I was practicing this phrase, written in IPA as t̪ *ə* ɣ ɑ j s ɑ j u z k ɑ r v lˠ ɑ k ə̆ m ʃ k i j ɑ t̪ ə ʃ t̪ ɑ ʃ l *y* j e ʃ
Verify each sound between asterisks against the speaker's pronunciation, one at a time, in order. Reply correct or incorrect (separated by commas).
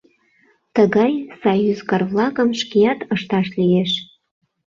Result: correct, incorrect